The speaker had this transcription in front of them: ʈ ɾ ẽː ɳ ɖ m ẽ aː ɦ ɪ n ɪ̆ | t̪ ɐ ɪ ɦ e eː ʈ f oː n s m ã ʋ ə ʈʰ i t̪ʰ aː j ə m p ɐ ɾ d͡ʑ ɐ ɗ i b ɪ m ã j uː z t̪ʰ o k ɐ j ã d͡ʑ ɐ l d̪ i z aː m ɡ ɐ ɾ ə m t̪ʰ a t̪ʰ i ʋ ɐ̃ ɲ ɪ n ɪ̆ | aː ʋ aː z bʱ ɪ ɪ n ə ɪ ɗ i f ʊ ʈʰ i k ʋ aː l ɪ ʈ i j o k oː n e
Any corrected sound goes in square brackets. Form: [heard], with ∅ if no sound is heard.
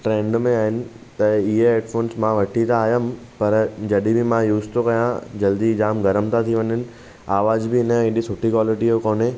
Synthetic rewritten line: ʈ ɾ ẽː ɳ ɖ m ẽ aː ɦ ɪ n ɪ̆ | t̪ ɐ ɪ ɦ e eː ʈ f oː n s m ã ʋ [ɐ] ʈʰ i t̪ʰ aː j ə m p ɐ ɾ d͡ʑ ɐ ɗ i b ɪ m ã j uː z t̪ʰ o k ɐ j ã d͡ʑ ɐ l d̪ i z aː m ɡ ɐ ɾ ə m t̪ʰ a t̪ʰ i ʋ [ɐ] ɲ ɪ n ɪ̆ | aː ʋ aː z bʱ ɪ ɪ n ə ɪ ɗ i [s] ʊ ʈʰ i k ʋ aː l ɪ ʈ i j o k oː n e